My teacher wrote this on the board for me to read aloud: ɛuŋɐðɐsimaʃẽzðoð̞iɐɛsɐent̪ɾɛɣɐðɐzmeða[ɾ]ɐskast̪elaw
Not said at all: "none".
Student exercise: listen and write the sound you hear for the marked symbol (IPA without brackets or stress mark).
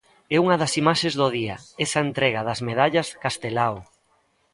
ʎ